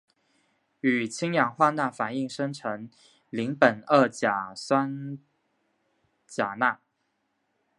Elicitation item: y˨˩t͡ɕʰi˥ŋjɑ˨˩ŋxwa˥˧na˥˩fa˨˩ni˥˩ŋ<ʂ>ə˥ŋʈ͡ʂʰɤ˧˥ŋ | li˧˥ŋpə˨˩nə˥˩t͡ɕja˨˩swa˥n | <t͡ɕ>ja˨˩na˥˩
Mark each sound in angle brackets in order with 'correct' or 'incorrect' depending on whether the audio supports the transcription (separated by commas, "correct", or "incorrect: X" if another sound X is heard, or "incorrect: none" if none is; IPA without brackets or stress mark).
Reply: correct, correct